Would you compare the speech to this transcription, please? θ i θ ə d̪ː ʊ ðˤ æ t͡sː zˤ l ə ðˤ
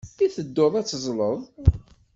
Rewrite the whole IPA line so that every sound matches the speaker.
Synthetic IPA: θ i θ ə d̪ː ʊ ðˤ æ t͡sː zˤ l ə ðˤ

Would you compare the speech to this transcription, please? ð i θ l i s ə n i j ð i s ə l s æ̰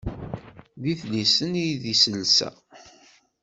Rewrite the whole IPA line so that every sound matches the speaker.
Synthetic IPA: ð i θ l i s ə n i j ð i s ə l s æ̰

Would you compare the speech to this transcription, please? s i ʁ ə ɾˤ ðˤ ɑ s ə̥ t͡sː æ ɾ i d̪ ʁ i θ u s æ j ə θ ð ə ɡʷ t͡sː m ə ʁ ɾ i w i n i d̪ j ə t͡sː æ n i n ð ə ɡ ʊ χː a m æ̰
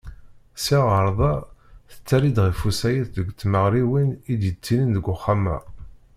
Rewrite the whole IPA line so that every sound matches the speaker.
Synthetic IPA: s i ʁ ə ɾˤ ðˤ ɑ θ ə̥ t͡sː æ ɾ i d̪ ʁ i f u s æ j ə θ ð ə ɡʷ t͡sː m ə ʁ ɾ i w i n i d̪ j ə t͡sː i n i n ð ə ɡ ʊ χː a m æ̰

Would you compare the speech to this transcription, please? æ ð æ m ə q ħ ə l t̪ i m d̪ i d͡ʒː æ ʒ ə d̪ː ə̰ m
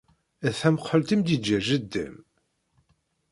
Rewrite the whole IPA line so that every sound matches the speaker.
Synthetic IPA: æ θ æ m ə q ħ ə l t̪ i m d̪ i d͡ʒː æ ʒ ə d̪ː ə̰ m

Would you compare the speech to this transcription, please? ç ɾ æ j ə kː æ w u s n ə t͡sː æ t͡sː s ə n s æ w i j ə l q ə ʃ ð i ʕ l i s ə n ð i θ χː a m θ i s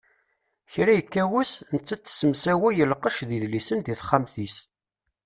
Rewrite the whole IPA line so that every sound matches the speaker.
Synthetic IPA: ç ɾ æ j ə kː æ w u s n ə t͡sː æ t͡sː s ə m s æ w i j ə l q ə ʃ ð i ð l i s ə n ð i θ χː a m θ i s

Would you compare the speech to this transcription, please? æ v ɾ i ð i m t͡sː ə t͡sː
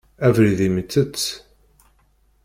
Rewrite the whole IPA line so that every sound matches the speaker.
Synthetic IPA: æ v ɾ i ð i m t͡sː ə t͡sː

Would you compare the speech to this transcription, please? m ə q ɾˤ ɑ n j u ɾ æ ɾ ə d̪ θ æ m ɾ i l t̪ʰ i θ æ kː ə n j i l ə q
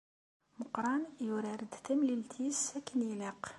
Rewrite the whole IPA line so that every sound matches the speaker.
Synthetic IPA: m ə q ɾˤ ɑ n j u ɾ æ ɾ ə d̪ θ æ m l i l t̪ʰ i s æ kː ə n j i l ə q

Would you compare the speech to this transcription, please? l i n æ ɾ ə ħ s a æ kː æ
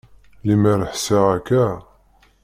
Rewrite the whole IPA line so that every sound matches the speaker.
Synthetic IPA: l i m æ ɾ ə ħ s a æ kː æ

